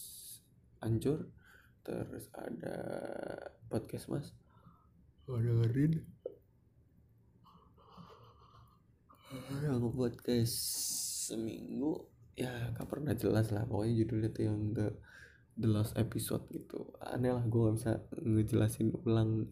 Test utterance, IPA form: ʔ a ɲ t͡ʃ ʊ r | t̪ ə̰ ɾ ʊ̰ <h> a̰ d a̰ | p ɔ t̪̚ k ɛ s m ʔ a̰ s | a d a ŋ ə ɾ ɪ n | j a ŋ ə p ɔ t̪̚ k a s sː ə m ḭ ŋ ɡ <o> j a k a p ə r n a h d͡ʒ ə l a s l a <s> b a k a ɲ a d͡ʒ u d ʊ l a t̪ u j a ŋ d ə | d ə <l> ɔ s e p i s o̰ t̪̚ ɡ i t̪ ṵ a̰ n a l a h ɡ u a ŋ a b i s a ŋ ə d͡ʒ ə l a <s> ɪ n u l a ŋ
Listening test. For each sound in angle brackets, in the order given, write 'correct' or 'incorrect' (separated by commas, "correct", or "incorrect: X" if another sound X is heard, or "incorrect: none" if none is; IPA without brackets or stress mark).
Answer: incorrect: s, incorrect: u, incorrect: h, correct, correct